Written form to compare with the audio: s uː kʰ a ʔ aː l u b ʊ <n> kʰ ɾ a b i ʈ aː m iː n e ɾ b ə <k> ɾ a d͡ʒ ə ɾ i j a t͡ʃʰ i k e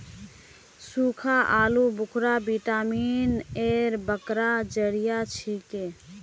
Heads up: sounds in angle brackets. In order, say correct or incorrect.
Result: incorrect: none, correct

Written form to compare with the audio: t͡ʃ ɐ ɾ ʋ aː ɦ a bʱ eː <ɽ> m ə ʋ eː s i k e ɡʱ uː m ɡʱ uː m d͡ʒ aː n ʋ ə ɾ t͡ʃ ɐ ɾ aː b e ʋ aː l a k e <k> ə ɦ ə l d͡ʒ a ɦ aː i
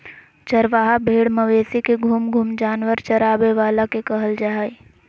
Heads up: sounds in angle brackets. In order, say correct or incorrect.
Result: correct, correct

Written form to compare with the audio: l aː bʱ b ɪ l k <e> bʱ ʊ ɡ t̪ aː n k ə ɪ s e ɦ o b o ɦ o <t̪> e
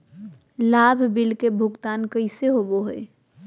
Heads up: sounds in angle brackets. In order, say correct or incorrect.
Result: correct, incorrect: none

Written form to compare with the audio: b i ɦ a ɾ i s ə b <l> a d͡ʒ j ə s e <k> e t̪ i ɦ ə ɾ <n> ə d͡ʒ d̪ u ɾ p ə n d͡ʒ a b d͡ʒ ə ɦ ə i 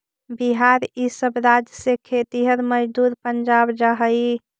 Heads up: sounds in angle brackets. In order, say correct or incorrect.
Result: incorrect: ɾ, incorrect: kʰ, incorrect: m

